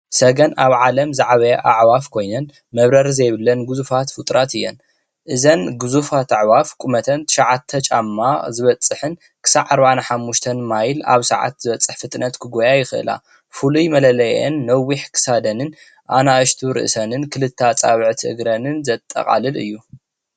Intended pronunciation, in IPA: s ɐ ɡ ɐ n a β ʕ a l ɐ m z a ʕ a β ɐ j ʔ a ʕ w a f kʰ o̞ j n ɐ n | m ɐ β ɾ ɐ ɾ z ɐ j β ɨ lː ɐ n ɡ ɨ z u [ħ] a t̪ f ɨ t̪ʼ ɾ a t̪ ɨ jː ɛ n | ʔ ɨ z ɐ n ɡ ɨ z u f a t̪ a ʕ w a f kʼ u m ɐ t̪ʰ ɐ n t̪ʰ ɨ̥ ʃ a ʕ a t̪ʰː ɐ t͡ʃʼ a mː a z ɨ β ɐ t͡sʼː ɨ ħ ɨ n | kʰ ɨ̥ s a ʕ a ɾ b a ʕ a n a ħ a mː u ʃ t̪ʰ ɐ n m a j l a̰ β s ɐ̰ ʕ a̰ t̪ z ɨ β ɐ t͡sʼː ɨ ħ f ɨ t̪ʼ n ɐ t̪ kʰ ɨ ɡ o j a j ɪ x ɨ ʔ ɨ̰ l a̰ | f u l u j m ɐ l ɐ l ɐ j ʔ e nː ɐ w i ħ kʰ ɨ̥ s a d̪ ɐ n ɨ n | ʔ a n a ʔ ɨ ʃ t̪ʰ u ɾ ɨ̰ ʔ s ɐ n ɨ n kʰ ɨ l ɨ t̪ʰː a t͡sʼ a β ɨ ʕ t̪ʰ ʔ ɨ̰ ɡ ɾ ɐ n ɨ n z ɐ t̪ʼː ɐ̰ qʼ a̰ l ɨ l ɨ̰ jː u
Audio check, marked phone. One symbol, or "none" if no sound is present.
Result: f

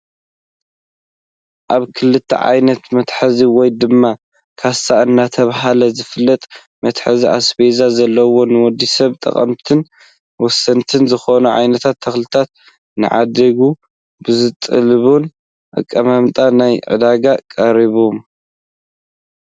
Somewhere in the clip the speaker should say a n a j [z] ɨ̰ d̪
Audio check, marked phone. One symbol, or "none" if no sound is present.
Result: ʕ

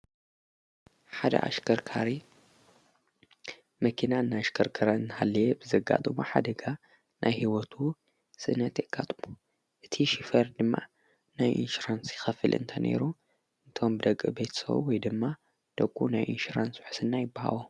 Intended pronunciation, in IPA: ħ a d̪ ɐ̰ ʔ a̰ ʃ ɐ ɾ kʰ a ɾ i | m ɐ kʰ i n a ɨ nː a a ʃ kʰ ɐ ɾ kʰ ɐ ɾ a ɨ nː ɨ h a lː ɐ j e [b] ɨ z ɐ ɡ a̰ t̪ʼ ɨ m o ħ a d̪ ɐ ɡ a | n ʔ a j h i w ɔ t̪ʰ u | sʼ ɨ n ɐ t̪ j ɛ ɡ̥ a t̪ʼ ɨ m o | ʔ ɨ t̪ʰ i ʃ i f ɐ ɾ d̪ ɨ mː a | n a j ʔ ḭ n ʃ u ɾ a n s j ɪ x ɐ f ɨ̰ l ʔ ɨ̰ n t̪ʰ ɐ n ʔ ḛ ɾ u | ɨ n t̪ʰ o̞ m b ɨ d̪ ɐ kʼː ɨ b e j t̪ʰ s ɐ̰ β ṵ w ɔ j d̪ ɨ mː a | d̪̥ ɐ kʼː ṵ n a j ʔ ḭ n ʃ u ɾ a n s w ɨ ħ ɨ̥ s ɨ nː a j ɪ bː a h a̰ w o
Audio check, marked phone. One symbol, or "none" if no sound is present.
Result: b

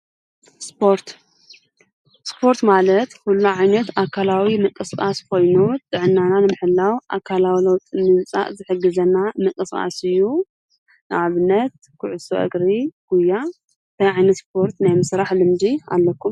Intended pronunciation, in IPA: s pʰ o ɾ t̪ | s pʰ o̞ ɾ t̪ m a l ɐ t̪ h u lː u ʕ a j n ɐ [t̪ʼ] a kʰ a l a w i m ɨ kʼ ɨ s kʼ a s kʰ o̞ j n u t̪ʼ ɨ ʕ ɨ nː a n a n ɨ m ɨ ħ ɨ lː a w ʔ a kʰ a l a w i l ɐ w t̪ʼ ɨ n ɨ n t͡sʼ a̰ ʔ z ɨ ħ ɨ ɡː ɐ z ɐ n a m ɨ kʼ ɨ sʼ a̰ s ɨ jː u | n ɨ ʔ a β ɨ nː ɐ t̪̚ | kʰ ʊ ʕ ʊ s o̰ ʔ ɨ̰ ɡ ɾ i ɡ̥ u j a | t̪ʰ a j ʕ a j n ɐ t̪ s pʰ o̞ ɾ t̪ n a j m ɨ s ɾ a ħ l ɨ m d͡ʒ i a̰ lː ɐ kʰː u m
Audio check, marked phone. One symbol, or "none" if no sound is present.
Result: t̪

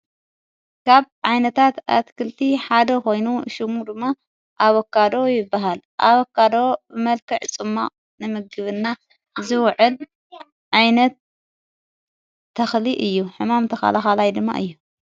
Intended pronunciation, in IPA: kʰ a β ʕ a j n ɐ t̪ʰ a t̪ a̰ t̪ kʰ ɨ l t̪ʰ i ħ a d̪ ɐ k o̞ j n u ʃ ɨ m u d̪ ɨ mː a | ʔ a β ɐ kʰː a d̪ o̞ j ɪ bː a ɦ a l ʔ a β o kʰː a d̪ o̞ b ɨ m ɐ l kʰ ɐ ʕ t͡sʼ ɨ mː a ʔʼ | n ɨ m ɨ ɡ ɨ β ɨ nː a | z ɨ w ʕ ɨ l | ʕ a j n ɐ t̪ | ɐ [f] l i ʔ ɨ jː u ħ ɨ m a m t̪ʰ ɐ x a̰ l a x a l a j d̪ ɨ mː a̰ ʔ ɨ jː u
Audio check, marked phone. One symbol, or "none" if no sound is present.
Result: x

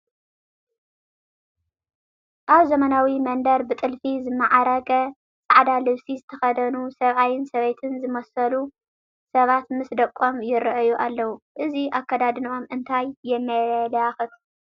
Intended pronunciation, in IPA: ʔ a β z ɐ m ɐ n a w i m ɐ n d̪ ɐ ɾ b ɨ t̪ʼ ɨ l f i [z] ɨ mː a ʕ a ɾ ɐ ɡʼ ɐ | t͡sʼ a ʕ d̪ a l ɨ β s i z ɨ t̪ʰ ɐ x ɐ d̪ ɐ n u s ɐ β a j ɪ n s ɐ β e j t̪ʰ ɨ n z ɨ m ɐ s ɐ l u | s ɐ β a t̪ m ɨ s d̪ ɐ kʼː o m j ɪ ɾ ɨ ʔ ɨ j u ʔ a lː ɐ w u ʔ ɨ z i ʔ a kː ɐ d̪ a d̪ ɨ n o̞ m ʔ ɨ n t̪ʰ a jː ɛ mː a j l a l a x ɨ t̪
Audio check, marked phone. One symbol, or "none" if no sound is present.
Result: z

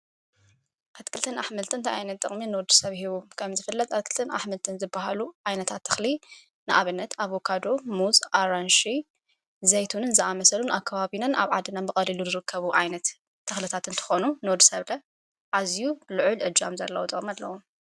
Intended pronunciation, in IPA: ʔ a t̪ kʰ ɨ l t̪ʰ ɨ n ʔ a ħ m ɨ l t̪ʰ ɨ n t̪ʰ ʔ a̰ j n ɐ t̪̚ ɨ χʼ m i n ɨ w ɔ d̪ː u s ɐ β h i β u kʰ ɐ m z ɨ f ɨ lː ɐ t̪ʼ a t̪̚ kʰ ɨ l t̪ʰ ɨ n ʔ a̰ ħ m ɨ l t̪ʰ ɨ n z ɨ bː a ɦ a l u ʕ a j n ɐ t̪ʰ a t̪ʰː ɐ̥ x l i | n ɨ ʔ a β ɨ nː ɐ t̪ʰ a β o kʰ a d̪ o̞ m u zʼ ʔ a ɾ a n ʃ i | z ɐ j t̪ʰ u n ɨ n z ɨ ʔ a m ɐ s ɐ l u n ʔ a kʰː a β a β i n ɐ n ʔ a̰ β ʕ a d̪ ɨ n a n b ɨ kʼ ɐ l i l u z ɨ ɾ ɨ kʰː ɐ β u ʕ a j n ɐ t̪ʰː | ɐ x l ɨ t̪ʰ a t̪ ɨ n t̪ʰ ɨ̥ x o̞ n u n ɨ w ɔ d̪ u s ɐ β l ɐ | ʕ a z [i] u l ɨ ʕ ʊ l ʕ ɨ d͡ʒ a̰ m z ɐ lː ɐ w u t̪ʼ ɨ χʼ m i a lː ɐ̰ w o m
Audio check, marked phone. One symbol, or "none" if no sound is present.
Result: j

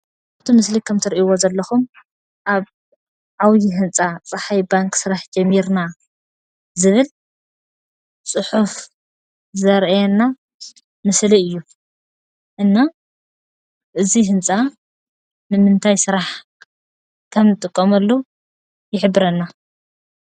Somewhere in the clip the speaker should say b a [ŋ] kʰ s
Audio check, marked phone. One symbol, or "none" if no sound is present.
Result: ŋ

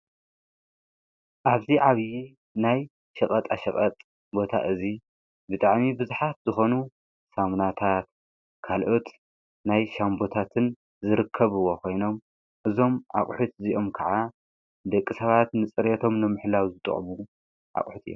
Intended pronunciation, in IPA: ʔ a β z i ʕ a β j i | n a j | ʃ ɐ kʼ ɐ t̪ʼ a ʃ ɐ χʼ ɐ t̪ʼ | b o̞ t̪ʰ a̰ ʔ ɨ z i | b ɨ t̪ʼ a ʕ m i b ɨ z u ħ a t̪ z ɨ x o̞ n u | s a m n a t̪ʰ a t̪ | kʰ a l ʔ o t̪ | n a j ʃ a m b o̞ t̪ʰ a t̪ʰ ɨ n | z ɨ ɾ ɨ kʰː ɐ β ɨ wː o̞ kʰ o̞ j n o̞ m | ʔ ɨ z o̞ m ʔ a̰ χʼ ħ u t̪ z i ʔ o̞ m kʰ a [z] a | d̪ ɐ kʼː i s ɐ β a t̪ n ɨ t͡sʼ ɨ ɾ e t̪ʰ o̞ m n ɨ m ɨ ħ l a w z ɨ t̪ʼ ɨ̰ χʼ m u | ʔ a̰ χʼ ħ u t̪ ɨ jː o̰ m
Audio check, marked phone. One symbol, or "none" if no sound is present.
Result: ʕ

